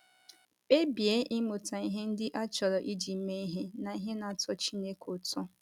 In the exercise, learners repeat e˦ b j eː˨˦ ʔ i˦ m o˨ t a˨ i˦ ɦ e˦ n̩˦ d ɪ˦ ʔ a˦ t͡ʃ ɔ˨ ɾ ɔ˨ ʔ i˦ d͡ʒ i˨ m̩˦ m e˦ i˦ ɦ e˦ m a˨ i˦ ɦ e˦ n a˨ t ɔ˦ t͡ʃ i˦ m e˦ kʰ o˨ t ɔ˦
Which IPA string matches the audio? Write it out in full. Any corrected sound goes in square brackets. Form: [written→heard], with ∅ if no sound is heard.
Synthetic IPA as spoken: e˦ b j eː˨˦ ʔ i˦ m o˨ t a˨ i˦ ɦ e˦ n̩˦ d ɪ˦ ʔ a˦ t͡ʃ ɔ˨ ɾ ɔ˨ ʔ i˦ d͡ʒ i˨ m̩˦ m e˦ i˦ ɦ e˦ [m→n] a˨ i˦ ɦ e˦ n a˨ t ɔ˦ t͡ʃ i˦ [m→n] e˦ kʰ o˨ t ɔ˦

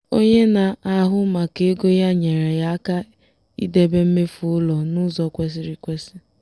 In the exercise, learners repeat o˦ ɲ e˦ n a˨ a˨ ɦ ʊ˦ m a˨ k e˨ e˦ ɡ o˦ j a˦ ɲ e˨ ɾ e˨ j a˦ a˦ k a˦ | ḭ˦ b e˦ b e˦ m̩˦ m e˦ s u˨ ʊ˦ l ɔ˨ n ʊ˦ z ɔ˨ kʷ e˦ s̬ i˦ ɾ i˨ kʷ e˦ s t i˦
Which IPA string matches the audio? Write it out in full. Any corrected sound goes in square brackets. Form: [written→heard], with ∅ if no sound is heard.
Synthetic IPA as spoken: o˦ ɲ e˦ n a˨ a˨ ɦ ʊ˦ m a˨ k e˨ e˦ ɡ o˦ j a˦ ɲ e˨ ɾ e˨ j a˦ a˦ k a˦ | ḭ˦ [b→d] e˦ b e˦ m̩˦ m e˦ [s→f] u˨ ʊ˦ l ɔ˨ n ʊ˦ z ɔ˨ kʷ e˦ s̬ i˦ ɾ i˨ kʷ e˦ s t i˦

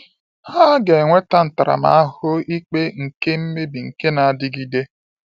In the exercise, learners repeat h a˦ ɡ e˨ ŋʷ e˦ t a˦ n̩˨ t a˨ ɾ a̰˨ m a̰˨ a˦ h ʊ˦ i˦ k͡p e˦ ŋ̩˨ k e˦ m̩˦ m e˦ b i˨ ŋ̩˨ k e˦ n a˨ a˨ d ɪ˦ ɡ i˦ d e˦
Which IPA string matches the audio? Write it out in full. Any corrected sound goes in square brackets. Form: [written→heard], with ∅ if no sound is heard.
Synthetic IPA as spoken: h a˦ ɡ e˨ ŋʷ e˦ t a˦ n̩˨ t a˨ ɾ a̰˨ m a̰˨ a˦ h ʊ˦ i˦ k͡p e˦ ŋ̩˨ k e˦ m̩˦ m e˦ b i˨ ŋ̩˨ k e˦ n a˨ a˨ d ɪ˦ ɡ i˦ d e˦

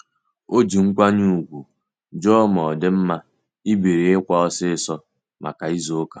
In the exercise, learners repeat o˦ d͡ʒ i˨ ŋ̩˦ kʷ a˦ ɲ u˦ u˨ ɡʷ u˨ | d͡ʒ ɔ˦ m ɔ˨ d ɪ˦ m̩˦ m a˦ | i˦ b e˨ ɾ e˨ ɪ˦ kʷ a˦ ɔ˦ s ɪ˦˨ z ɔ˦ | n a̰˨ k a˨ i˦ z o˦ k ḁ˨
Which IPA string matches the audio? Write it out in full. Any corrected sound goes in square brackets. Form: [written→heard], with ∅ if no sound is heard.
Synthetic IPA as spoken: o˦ d͡ʒ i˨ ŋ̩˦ kʷ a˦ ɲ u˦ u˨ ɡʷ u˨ | d͡ʒ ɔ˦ m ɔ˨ d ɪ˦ m̩˦ m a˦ | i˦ b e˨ ɾ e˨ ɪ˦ kʷ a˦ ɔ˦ s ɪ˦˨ [z→s] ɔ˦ | [n→m] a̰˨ k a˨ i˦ z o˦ k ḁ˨

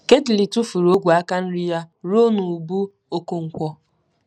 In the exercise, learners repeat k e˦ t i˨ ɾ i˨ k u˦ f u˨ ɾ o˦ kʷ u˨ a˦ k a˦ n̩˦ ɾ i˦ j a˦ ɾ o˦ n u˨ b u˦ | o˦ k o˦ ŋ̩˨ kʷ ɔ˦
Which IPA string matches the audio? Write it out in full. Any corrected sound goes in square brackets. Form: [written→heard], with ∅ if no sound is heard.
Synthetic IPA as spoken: k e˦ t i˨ [ɾ→l] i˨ [k→t] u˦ f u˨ ɾ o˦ [kʷ→ɡʷ] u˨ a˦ k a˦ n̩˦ ɾ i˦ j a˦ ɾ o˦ n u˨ b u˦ | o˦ k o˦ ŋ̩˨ kʷ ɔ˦

